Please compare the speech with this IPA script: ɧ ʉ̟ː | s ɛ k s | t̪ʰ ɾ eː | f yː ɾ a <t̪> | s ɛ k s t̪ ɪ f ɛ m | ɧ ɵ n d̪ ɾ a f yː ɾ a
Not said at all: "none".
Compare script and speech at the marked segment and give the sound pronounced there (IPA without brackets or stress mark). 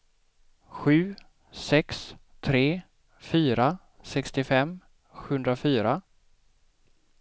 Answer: none